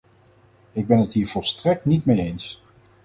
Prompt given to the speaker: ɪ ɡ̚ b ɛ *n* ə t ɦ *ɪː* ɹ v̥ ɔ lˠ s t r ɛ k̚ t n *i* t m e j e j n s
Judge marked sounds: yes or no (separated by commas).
yes, no, yes